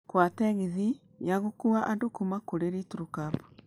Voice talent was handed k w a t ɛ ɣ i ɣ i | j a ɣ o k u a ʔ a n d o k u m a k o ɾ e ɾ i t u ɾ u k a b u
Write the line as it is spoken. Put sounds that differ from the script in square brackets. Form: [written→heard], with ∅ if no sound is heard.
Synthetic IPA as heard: k w a t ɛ ɣ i [ɣ→ð] i | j a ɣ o k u a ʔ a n d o k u m a k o ɾ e ɾ i t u ɾ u k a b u